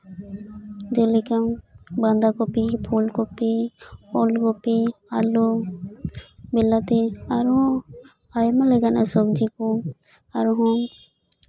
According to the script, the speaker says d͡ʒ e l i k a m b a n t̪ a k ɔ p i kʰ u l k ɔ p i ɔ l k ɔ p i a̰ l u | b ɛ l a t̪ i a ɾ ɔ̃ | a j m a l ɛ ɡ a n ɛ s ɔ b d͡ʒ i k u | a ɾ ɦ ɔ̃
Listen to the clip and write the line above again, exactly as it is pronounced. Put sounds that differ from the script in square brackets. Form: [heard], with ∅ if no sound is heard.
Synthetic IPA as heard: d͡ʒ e l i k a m b a n [d̪] a k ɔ p i [pʰ] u l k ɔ p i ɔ l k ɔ p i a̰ l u | b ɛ l a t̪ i a ɾ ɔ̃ | a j m a l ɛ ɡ a n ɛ s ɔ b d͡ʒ i k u | a ɾ ɦ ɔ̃